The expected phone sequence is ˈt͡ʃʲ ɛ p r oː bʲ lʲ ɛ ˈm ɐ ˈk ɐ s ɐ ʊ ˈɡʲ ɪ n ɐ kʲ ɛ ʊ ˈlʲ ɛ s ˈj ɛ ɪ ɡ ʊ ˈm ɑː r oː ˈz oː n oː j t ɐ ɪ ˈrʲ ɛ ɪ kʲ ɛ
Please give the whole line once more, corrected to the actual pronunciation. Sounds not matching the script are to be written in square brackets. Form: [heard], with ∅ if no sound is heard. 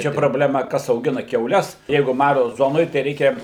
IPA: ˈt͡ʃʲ ɛ p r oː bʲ lʲ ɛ ˈm ɐ ˈk ɐ s ɐ ʊ ˈɡʲ ɪ n ɐ kʲ ɛ ʊ ˈlʲ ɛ s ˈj ɛ ɪ ɡ ʊ ˈm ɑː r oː ˈz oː n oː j t ɐ ɪ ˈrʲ ɛ ɪ kʲ ɛ